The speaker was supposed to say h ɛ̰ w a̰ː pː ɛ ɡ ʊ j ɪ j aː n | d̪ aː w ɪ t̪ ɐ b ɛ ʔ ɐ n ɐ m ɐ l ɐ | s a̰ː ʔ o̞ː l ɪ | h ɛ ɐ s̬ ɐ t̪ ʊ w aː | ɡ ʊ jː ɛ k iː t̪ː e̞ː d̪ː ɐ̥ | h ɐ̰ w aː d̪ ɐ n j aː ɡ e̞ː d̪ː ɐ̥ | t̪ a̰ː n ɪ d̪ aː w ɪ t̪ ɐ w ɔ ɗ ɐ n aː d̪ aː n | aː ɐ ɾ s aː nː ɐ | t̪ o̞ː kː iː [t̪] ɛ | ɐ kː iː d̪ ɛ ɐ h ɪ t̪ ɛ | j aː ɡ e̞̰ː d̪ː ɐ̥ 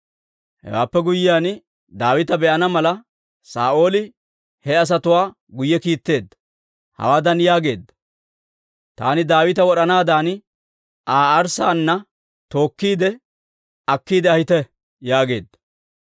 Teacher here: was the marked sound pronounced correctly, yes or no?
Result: no